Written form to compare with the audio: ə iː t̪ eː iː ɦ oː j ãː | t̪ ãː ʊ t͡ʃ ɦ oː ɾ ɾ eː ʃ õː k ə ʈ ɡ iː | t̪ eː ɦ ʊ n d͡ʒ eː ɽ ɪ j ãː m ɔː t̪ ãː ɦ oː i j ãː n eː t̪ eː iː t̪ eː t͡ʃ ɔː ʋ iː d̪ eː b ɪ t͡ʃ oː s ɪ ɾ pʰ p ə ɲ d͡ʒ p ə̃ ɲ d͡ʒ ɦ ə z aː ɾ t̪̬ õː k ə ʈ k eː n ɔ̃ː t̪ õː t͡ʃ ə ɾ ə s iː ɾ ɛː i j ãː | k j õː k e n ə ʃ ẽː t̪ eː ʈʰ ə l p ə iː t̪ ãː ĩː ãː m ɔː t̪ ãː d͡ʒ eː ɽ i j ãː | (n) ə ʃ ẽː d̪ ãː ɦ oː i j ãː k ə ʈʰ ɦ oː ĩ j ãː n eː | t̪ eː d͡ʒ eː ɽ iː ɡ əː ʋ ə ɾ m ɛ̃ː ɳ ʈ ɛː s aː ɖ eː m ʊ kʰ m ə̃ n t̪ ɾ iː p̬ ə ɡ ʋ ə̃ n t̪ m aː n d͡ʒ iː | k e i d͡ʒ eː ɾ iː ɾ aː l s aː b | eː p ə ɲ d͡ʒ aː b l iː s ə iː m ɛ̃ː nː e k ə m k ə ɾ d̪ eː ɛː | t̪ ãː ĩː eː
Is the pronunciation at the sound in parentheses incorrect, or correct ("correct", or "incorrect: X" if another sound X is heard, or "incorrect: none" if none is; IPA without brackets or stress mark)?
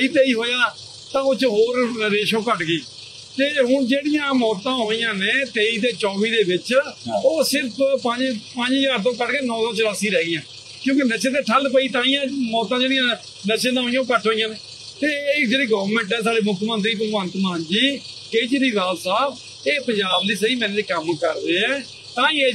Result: correct